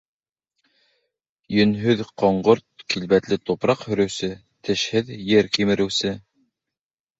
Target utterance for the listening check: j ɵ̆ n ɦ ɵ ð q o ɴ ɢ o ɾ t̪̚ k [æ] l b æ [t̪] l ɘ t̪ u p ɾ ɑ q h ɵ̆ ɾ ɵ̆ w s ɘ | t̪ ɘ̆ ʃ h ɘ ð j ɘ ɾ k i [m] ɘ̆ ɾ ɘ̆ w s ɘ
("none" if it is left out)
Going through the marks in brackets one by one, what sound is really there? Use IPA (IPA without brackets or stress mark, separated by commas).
i, t̪, m